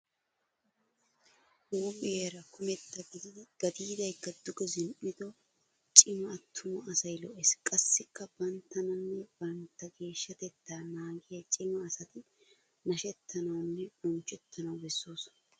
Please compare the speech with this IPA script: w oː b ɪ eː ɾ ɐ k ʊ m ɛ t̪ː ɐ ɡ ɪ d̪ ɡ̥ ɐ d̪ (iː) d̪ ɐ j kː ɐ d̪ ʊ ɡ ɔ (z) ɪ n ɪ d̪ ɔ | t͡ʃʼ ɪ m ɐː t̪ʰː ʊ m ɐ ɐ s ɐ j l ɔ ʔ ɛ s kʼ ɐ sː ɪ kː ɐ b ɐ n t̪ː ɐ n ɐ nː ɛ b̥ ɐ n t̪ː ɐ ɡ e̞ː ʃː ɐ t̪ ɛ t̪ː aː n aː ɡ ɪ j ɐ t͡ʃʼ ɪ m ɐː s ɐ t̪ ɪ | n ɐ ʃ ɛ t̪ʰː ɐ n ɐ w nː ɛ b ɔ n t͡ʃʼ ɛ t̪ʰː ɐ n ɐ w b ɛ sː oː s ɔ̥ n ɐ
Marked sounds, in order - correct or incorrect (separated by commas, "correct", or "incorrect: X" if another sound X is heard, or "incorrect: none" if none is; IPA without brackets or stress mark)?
correct, correct